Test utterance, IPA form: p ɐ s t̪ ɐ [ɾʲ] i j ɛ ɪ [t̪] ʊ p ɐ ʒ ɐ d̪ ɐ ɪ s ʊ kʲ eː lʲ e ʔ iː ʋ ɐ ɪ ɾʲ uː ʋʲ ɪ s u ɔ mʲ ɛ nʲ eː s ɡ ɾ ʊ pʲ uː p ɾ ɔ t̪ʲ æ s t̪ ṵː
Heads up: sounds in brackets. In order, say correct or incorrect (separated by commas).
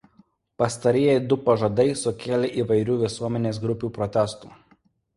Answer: correct, incorrect